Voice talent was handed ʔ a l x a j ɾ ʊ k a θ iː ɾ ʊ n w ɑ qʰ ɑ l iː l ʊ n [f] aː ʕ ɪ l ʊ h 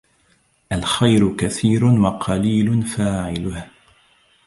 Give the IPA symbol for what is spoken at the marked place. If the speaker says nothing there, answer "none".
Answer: f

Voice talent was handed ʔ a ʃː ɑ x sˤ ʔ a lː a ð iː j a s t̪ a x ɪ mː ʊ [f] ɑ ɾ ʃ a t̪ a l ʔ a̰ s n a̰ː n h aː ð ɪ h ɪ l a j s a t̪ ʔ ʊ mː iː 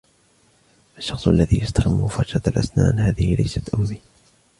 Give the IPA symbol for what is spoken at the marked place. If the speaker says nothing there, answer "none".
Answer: f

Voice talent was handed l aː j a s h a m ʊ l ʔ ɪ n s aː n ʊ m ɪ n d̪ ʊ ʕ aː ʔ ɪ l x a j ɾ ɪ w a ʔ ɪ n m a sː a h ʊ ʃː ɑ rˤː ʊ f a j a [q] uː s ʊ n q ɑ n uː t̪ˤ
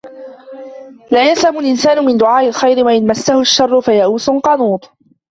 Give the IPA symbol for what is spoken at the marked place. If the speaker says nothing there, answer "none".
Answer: ʔ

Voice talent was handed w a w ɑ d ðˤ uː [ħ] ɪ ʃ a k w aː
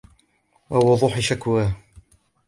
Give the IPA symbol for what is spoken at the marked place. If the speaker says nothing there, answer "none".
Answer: ħ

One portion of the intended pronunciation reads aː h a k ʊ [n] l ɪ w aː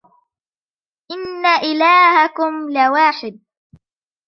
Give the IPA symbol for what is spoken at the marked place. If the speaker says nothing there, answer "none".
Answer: m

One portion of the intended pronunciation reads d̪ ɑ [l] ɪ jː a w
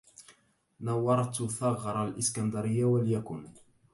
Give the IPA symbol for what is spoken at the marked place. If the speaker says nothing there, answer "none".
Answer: ɾ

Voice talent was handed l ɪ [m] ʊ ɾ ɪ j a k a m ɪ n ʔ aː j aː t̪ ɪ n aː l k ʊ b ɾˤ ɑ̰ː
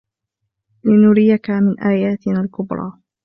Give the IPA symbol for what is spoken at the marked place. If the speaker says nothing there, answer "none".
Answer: n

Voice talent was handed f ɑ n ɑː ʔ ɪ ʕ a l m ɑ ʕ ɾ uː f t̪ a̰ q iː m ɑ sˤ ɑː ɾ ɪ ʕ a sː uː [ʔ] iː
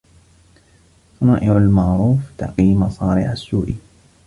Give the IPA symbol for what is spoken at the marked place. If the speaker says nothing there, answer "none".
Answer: ʔ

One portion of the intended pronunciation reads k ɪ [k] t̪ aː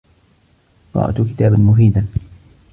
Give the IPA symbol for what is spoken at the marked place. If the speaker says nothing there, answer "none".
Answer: none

